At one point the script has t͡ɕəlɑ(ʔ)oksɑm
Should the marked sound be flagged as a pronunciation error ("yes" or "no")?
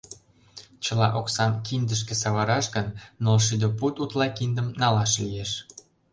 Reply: no